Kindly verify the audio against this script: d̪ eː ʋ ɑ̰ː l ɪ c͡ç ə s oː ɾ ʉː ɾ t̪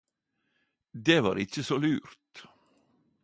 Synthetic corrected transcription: d̪ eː ʋ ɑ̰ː ɾ ɪ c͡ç ə s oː l ʉː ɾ t̪